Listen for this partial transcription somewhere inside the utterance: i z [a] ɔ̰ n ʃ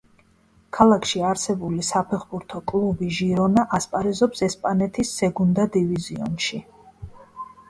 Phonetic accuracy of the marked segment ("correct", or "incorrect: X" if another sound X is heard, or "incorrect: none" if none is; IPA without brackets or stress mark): incorrect: i